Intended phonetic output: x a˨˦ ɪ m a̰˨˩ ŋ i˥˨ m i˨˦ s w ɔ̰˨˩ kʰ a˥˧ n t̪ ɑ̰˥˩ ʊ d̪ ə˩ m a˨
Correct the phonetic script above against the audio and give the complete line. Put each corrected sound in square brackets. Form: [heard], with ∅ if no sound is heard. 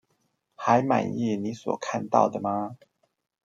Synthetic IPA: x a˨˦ ɪ m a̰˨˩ [n] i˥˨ [n] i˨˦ s w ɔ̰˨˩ kʰ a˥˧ n t̪ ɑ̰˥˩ ʊ d̪ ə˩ m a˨